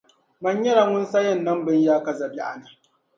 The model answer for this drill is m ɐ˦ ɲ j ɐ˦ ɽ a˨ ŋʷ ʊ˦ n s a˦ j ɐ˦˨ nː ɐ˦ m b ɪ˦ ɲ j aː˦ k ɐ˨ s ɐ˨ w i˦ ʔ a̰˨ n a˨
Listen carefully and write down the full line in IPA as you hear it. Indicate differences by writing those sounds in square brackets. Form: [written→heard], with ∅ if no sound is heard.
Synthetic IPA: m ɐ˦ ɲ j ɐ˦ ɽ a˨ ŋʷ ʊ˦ n s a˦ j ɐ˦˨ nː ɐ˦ m b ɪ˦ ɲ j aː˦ k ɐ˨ [s→z] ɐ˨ [w→b] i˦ ʔ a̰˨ n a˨

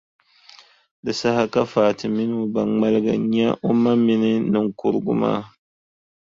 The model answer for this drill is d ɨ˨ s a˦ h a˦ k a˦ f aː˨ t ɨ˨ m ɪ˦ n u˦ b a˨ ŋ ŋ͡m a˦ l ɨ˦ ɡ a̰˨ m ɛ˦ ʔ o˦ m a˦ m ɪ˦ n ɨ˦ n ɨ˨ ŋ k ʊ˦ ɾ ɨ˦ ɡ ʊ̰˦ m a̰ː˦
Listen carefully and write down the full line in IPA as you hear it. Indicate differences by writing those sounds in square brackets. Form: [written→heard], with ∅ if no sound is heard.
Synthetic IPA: d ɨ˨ s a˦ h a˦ k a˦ f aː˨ t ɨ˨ m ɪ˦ n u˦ b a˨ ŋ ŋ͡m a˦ l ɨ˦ ɡ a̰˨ [m→ɲ] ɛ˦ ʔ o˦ m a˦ m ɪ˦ n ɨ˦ n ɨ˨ ŋ k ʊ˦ ɾ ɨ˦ ɡ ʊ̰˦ m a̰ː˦

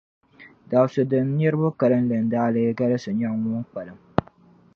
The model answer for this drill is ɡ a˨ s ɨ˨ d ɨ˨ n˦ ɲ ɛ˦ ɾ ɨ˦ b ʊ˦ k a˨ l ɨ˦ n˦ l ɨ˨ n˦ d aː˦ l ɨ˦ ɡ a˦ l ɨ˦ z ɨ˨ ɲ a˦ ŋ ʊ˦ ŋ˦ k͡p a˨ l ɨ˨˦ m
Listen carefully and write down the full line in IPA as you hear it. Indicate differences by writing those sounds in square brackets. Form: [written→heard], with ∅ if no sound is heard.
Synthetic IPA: [ɡ→d] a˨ s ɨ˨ d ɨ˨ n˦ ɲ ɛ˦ ɾ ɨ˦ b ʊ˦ k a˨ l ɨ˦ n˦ l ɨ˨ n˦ d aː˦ l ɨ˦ ɡ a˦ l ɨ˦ [z→s] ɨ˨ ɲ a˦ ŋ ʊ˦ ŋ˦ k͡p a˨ l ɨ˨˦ m

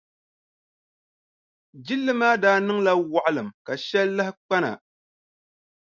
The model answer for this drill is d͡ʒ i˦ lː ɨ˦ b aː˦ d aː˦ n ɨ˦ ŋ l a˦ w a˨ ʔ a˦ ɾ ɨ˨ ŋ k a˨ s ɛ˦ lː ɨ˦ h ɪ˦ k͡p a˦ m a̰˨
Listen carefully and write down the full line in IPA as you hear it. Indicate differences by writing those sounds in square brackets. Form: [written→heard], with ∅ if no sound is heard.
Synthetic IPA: d͡ʒ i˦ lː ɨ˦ [b→m] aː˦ d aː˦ n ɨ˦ ŋ l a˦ w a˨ ʔ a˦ [ɾ→l] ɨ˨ [ŋ→m] k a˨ [s→ʃ] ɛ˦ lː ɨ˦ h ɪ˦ k͡p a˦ [m→n] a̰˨

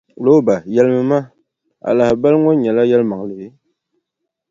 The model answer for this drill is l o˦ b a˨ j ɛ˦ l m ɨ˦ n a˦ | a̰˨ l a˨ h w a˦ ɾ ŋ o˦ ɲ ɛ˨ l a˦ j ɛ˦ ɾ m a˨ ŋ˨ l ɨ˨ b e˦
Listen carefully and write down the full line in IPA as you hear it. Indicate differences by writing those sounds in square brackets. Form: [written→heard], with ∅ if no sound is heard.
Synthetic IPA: l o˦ b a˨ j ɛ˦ l m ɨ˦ [n→m] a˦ | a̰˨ l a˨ h [w→b] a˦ [ɾ→l] ŋ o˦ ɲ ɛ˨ l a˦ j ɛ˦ [ɾ→l] m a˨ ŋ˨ l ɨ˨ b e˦

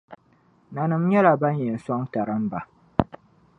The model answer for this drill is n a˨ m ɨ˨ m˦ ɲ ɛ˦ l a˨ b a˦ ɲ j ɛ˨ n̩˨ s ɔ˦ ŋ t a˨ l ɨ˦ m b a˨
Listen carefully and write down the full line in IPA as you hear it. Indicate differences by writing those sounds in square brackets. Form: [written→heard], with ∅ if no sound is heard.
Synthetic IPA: n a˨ [m→n] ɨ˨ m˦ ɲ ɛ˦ l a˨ b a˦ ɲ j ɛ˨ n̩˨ s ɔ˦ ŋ t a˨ [l→ɾ] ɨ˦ m b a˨

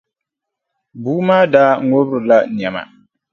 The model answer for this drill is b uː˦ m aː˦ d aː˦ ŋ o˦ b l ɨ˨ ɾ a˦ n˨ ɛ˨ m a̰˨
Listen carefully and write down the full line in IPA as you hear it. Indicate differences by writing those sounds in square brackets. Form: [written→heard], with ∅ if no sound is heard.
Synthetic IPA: b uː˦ m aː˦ d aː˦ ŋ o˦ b [l→ɾ] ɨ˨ [ɾ→l] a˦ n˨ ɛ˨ m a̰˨

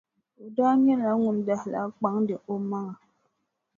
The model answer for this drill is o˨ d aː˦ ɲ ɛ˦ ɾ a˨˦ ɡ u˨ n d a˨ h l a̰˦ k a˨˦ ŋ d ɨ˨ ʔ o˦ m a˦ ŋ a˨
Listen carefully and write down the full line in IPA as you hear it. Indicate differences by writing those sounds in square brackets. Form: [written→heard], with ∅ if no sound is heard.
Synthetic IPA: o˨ d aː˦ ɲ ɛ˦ [ɾ→l] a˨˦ [ɡ→ŋ] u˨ n d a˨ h l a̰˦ [k→k͡p] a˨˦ ŋ d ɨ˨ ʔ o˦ m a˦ ŋ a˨

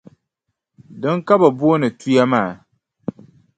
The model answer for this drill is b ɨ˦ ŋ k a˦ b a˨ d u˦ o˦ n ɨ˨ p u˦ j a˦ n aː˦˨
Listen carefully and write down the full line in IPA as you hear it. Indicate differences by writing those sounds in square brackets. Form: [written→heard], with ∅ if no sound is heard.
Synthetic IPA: [b→d] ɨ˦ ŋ k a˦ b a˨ [d→b] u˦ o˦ n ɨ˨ [p→t] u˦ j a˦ [n→m] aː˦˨

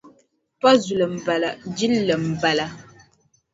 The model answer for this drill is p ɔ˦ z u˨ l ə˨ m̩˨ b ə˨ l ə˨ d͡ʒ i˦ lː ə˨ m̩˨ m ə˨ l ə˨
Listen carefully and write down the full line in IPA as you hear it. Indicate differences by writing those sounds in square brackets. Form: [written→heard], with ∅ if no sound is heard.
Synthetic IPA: p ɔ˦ z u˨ l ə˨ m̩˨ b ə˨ l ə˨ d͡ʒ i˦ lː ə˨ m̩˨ [m→b] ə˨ l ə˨

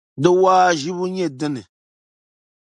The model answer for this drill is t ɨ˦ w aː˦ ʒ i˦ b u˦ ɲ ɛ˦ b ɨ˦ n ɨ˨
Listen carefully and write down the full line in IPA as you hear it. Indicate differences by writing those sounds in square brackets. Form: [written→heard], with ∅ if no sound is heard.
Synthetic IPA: [t→d] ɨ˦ w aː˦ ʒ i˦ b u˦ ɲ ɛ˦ [b→d] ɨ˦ n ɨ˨

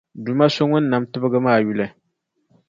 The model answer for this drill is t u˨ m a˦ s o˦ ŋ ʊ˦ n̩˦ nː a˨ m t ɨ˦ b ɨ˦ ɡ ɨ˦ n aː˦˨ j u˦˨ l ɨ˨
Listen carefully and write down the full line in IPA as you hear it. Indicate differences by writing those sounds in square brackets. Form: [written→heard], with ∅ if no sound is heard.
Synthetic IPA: [t→d] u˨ m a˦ s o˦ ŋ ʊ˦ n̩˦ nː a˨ m t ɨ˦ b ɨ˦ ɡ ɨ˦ [n→m] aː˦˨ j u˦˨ l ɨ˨

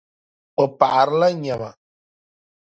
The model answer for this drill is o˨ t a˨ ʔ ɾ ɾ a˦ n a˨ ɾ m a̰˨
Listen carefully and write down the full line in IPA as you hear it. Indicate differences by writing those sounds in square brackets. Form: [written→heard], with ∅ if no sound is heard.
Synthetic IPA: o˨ [t→p] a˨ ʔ ɾ [ɾ→l] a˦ [n→ɲ] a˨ [ɾ→∅] m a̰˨

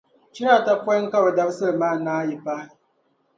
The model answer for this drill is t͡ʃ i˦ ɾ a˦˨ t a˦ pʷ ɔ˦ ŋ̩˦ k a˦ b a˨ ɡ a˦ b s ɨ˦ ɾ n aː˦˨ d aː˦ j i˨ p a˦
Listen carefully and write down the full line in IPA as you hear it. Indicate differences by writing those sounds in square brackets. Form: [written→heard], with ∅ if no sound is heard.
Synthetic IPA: t͡ʃ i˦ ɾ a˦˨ t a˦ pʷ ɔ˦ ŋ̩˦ k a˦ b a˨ [ɡ→d] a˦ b s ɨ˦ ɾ [n→m] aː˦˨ [d→n] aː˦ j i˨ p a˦

